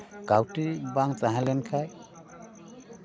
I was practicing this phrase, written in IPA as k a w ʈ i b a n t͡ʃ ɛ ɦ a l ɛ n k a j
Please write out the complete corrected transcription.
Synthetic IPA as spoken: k a w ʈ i b a ŋ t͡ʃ a ɦ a l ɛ n kʰ a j